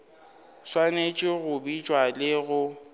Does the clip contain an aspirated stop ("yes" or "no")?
no